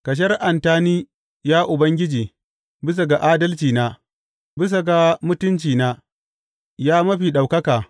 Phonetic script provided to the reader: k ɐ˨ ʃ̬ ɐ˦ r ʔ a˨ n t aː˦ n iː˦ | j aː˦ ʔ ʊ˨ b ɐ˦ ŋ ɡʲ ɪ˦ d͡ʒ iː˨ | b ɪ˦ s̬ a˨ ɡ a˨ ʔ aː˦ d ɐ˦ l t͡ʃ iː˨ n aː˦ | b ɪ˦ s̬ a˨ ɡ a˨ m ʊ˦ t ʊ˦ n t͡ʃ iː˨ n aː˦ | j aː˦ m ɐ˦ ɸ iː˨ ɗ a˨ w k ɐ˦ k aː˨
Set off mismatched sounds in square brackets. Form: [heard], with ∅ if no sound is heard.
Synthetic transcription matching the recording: k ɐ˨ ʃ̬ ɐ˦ r ʔ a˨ n t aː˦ n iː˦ | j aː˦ ʔ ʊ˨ b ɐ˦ ŋ ɡʲ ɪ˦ d͡ʒ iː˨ | b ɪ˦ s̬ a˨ ɡ a˨ ʔ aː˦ d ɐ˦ l t͡ʃ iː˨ n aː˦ | b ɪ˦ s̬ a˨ ɡ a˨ m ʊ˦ t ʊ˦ n t͡ʃ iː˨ n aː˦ | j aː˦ m ɐ˦ ɸ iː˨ ɗ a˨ w k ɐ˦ k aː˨